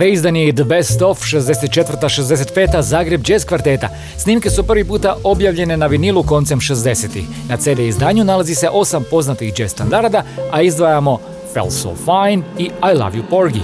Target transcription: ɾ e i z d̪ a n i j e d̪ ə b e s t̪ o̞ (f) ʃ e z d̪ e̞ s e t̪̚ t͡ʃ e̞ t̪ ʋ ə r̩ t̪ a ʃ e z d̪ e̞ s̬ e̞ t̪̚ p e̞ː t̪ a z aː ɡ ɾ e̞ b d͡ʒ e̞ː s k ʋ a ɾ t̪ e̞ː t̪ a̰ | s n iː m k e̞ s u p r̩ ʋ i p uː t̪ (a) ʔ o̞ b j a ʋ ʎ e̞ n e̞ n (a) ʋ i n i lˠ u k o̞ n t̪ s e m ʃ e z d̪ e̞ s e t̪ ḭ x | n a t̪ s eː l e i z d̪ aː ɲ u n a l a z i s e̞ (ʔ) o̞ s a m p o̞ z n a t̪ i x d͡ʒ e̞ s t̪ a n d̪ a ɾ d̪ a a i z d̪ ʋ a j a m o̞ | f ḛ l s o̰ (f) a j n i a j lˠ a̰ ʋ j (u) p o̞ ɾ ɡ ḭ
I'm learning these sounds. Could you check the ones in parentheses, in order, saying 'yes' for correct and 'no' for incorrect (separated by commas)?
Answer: yes, yes, yes, yes, yes, yes